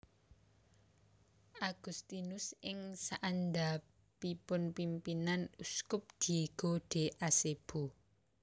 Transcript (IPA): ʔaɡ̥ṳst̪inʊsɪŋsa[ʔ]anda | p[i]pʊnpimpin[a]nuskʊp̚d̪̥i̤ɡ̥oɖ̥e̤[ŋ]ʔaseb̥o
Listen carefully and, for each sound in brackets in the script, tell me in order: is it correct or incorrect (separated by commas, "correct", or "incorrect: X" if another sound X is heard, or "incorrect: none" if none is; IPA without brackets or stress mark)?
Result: correct, correct, correct, incorrect: none